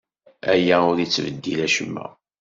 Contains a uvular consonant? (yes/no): no